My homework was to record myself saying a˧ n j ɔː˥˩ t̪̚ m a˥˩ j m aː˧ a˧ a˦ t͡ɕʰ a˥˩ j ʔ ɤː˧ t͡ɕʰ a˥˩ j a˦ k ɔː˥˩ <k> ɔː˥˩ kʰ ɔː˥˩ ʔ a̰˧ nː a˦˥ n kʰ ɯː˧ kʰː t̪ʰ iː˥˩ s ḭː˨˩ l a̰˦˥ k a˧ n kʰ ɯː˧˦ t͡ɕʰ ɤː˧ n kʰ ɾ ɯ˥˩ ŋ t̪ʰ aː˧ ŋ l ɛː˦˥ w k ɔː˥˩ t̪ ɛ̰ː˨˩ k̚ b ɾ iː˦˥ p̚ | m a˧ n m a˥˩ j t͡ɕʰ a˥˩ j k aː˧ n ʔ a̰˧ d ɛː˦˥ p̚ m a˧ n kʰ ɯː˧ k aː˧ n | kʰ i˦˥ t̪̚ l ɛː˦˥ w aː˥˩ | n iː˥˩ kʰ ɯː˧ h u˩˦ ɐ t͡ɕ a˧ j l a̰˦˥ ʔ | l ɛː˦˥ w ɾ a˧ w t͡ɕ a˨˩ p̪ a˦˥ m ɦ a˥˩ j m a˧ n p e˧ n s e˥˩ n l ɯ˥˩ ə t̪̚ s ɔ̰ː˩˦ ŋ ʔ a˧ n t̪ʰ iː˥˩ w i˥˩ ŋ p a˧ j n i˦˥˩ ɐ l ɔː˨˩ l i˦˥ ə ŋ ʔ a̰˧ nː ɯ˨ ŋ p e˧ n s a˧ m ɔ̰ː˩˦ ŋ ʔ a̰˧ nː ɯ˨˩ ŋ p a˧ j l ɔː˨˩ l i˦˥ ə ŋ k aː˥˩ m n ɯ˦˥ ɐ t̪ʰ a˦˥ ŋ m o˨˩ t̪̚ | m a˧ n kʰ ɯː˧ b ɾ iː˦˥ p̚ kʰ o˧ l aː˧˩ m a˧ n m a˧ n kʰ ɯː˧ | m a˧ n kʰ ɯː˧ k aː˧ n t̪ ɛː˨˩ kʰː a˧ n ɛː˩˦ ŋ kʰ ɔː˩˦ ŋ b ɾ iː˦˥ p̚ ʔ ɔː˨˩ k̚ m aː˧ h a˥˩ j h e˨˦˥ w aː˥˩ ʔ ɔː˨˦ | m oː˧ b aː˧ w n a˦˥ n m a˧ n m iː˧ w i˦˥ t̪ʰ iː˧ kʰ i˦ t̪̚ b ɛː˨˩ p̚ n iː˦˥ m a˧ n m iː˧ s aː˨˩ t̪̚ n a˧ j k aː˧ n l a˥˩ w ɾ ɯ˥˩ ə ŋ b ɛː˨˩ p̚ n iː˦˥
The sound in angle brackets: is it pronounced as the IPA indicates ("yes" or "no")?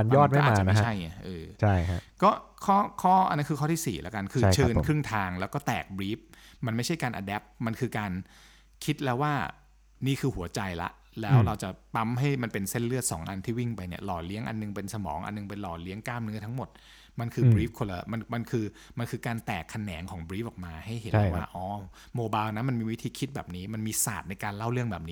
no